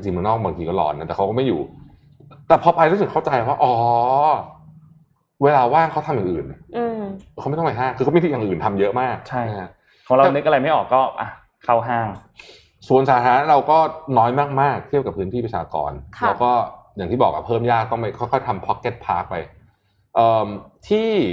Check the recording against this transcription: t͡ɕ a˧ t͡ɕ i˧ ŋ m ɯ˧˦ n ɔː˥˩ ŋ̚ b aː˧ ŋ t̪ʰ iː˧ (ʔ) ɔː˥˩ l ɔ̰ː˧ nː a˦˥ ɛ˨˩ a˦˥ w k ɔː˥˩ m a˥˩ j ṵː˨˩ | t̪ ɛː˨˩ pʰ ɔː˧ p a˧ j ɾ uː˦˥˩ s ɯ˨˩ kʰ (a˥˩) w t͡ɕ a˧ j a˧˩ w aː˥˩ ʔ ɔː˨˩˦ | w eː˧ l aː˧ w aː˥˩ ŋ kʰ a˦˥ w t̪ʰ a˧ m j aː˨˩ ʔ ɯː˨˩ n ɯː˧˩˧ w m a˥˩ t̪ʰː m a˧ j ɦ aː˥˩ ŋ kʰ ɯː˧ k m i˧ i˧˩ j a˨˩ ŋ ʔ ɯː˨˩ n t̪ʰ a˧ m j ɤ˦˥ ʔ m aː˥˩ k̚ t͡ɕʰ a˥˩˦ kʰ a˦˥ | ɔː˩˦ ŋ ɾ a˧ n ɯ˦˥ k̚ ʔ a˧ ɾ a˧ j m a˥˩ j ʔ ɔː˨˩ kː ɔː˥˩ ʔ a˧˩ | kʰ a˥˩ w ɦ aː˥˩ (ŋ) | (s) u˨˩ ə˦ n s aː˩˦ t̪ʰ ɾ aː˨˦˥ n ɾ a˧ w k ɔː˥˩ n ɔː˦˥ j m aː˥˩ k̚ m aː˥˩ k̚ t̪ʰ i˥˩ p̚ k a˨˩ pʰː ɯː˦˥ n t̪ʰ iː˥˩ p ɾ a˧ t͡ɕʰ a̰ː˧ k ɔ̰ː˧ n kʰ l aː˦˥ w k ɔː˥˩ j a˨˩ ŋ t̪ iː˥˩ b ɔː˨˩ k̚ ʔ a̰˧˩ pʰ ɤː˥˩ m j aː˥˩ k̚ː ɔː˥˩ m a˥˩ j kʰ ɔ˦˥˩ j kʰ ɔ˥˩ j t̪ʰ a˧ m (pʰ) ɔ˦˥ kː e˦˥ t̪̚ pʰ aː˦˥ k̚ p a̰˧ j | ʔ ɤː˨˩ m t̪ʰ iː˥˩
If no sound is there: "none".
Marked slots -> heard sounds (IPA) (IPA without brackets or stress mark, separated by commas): k, a˥˩, ŋ, s, pʰ